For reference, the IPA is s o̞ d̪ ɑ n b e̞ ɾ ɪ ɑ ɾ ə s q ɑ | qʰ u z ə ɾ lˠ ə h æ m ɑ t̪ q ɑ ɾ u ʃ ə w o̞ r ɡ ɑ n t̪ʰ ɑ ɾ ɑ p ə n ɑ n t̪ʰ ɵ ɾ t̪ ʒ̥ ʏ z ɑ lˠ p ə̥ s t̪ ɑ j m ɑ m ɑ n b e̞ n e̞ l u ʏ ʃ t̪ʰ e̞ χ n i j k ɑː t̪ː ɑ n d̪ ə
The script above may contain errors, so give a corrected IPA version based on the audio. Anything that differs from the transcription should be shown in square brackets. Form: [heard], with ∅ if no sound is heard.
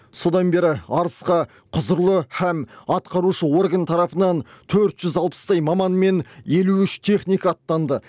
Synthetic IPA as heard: s o̞ d̪ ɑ n b e̞ ɾ ɪ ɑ ɾ ə s q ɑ | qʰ [ʊ] z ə ɾ lˠ ə h æ m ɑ t̪ q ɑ ɾ u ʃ ə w o̞ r ɡ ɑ n t̪ʰ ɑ ɾ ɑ p ə n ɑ n t̪ʰ ɵ ɾ t̪ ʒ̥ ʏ z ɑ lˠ p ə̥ s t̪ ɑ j m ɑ m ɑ n [m] e̞ n e̞ l u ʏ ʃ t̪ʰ e̞ χ n i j k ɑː t̪ː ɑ n d̪ ə

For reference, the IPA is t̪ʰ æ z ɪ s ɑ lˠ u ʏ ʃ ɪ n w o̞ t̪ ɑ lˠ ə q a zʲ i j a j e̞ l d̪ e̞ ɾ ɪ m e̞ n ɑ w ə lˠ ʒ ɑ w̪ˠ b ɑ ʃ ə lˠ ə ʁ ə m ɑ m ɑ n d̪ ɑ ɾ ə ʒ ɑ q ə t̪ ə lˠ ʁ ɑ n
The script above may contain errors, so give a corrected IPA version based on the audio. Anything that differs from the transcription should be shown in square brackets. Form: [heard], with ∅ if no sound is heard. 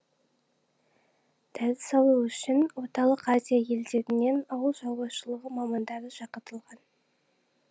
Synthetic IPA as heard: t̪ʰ æ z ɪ s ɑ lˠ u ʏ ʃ ɪ n w o̞ t̪ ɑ lˠ ə q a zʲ i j a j e̞ l d̪ e̞ ɾ ɪ [n] e̞ n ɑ w ə lˠ ʒ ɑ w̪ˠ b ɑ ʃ ə lˠ ə ʁ ə m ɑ m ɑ n d̪ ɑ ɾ ə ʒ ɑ q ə t̪ ə lˠ ʁ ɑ n

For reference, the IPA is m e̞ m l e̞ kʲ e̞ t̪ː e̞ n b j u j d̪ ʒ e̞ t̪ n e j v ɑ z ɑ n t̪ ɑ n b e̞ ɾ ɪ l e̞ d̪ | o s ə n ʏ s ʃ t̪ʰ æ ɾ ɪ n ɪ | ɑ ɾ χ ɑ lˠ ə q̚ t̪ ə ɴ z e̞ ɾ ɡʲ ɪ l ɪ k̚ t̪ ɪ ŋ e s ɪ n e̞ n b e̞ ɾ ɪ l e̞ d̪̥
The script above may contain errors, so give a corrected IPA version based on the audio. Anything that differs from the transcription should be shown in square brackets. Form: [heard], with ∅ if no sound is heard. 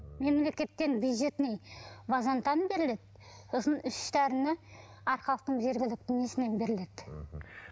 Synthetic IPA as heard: m e̞ m l e̞ kʲ e̞ t̪ː e̞ n b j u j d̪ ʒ e̞ t̪ n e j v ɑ z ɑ n t̪ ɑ n b e̞ ɾ ɪ l e̞ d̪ | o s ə n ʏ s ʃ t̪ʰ æ ɾ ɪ n ɪ | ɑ ɾ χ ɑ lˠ ə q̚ t̪ ə ɴ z e̞ ɾ ɡʲ ɪ l ɪ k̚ t̪ ɪ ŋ e s ɪ n e̞ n b e̞ ɾ ɪ l e̞ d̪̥

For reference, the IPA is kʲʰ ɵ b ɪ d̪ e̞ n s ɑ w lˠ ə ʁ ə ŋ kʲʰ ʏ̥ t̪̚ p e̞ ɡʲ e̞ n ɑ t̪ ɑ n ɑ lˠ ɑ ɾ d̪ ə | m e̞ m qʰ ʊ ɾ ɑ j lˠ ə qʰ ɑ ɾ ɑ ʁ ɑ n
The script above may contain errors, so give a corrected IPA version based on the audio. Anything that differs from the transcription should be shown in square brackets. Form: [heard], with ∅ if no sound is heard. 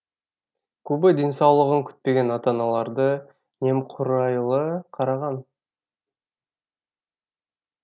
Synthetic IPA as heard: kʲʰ ɵ b ɪ d̪ e̞ n s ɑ w lˠ ə ʁ ə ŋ kʲʰ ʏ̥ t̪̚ p e̞ ɡʲ e̞ n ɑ t̪ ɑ n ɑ lˠ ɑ ɾ d̪ ə | [n] e̞ m qʰ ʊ ɾ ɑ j lˠ ə qʰ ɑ ɾ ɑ ʁ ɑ n

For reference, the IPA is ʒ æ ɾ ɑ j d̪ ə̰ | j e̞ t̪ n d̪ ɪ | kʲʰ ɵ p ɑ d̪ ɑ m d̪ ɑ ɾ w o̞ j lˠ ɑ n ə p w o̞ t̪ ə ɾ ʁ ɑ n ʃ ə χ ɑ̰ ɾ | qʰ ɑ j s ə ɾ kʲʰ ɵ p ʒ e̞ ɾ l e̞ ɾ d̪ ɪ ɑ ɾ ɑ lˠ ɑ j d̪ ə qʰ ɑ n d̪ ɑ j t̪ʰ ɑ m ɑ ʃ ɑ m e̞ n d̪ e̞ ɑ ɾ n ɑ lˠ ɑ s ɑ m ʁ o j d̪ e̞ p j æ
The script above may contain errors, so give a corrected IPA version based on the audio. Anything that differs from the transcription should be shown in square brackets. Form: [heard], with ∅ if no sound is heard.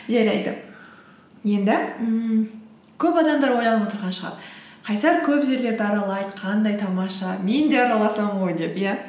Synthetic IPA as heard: ʒ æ ɾ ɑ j d̪ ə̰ | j e̞ [∅] n d̪ ɪ | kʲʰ ɵ p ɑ d̪ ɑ m d̪ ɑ ɾ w o̞ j lˠ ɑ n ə p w o̞ t̪ ə ɾ ʁ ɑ n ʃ ə [ʁ] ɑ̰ ɾ | qʰ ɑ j s [ɑ] ɾ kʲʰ ɵ p ʒ e̞ ɾ l e̞ ɾ d̪ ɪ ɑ ɾ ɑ lˠ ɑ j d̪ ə qʰ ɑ n d̪ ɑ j t̪ʰ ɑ m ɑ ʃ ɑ m e̞ n d̪ e̞ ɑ ɾ n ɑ lˠ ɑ s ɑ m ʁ o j d̪ e̞ p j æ

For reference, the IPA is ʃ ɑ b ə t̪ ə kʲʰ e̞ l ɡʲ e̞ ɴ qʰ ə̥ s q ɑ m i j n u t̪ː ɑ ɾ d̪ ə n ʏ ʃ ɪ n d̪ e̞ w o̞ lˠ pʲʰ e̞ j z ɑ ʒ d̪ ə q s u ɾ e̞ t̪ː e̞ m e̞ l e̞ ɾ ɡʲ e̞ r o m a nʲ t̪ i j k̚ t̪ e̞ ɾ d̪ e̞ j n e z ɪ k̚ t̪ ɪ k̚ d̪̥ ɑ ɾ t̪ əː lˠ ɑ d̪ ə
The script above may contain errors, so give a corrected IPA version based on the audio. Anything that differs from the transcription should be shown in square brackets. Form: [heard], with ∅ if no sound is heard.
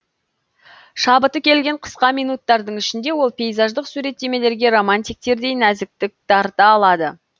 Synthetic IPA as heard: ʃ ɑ b ə t̪ ə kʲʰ e̞ l ɡʲ e̞ ɴ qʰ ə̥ s q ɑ m i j n u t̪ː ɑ ɾ d̪ ə [ɴ] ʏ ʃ ɪ n d̪ e̞ w o̞ lˠ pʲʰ e̞ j z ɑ ʒ d̪ ə q s u ɾ e̞ t̪ː e̞ m e̞ l e̞ ɾ ɡʲ e̞ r o m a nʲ t̪ i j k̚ t̪ e̞ ɾ d̪ e̞ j n [æ] z ɪ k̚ t̪ ɪ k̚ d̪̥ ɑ ɾ t̪ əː lˠ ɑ d̪ ə

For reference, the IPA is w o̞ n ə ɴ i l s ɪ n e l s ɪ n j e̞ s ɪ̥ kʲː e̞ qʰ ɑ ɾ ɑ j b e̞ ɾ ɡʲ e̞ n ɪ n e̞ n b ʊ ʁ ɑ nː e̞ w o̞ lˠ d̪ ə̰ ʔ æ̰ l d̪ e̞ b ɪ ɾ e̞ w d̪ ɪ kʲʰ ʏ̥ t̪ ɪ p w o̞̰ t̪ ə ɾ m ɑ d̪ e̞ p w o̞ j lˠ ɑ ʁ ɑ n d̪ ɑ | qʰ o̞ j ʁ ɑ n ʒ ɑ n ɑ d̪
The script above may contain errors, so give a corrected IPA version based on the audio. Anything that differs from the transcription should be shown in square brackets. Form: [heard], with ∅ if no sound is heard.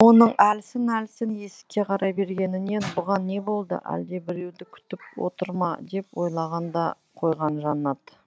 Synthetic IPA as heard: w o̞ n ə ɴ [æ] l s ɪ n [æ] l s ɪ n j e̞ s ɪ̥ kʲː e̞ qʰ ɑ ɾ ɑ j b e̞ ɾ ɡʲ e̞ n ɪ n e̞ n b ʊ ʁ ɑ nː e̞ [b] o̞ lˠ d̪ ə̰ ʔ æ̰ l d̪ e̞ b ɪ ɾ e̞ w d̪ ɪ kʲʰ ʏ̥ t̪ ɪ p w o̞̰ t̪ ə ɾ m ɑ d̪ e̞ p w o̞ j lˠ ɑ ʁ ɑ n d̪ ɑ | qʰ o̞ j ʁ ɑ n ʒ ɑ n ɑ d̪

